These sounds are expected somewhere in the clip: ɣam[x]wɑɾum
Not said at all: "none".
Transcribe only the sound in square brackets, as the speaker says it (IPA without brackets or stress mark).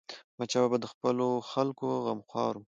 x